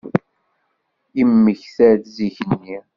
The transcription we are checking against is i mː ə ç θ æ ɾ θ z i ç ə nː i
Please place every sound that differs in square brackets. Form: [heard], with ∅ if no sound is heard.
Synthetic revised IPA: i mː ə ç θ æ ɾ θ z i ç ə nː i